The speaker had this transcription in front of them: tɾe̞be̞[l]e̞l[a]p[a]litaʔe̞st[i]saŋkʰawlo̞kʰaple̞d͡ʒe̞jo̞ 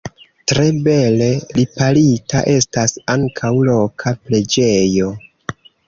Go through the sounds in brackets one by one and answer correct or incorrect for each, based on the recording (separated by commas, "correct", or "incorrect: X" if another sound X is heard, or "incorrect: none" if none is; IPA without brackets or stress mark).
correct, incorrect: i, correct, incorrect: a